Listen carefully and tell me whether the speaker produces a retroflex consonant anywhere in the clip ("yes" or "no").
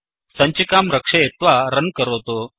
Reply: yes